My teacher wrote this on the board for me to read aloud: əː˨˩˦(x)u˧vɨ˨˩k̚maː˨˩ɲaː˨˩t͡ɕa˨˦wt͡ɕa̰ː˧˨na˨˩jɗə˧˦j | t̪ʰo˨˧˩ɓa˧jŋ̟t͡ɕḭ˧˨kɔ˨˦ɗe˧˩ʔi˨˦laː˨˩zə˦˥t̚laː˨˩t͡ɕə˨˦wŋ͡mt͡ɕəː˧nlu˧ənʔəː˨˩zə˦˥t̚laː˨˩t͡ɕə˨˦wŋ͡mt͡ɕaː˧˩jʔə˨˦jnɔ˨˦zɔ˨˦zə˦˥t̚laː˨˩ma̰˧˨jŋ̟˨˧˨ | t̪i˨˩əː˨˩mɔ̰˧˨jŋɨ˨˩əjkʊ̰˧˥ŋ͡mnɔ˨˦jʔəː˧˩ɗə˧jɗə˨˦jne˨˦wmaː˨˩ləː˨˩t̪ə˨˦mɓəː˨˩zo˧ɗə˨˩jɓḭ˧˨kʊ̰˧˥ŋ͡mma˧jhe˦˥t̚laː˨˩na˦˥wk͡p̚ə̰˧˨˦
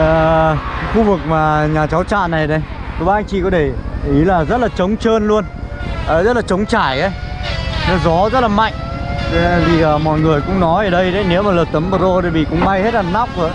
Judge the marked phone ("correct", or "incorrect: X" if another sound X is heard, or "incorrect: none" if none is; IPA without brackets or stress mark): correct